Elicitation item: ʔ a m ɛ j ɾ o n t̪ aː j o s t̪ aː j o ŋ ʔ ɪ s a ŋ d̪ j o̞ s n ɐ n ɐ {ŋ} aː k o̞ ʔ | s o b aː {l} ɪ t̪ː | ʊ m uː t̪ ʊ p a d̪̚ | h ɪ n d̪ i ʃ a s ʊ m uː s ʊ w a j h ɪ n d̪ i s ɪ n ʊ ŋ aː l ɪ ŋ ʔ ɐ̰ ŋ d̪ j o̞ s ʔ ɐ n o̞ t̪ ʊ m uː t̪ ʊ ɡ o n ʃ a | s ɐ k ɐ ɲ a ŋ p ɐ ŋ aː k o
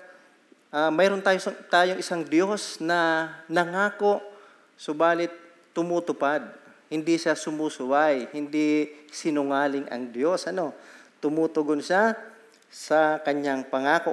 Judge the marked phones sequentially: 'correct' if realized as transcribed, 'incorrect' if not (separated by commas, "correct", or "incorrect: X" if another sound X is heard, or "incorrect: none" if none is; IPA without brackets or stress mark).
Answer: correct, correct